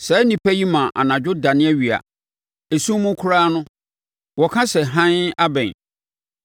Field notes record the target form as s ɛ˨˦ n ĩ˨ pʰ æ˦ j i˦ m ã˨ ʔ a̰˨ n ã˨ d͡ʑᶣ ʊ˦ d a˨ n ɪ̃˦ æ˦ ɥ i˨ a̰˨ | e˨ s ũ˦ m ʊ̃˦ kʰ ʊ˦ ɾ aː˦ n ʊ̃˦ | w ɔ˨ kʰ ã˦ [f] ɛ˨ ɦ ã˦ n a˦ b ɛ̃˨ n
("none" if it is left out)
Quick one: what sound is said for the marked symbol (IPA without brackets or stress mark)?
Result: s